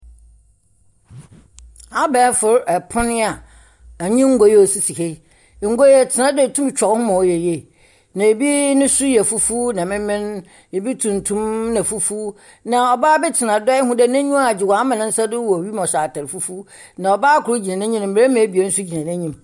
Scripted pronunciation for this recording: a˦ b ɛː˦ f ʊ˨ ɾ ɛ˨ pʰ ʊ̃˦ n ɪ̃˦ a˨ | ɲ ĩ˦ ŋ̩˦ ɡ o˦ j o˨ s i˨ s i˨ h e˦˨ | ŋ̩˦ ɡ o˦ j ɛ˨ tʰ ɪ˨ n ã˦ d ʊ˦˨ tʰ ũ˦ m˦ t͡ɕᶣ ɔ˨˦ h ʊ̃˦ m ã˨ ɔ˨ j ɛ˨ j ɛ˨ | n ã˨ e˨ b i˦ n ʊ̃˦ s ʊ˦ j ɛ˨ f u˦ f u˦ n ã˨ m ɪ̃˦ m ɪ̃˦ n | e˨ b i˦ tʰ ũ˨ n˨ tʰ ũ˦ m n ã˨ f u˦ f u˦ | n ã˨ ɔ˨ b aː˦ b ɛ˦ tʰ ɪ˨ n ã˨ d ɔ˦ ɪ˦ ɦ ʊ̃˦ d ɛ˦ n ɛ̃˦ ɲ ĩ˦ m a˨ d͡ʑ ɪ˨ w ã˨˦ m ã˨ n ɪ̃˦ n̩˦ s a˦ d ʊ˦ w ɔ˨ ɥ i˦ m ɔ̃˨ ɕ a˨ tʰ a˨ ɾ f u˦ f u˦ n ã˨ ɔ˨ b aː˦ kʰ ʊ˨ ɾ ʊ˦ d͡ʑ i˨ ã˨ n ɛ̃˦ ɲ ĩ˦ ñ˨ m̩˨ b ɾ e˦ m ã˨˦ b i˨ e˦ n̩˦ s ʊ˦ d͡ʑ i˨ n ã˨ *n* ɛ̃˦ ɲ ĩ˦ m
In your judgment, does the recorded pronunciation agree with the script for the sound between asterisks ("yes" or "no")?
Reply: yes